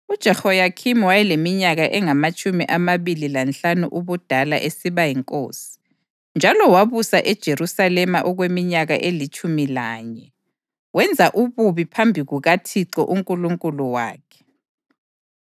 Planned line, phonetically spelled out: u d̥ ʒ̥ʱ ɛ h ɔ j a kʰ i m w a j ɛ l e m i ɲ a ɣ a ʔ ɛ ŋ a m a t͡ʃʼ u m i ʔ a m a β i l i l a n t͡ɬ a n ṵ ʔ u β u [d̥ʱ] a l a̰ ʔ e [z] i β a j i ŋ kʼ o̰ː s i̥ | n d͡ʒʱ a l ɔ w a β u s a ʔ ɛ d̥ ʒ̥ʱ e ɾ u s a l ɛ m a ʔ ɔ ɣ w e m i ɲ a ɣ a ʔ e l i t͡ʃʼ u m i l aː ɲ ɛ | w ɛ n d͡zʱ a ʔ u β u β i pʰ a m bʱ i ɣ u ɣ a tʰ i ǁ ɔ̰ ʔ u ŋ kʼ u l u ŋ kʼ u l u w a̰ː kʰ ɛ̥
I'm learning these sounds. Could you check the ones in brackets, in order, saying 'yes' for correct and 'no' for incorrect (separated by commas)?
yes, no